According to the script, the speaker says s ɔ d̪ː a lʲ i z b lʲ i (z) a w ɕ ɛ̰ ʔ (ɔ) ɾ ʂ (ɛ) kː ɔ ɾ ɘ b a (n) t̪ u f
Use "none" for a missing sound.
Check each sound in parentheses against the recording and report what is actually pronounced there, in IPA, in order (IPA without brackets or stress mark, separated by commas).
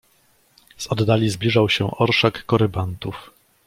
ʐ, ɔ, a, n